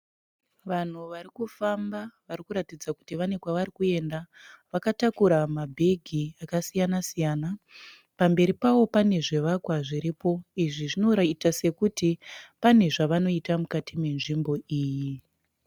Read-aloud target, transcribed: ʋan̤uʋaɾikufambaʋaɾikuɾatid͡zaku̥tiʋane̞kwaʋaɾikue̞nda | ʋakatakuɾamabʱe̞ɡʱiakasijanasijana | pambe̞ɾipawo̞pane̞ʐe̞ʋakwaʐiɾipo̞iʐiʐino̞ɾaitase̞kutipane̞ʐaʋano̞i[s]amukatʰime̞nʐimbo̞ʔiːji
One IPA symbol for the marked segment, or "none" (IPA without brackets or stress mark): t